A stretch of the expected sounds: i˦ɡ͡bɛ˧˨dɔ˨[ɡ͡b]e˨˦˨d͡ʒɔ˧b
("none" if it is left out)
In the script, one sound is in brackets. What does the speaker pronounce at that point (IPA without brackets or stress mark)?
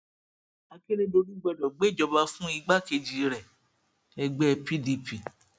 ɡ͡b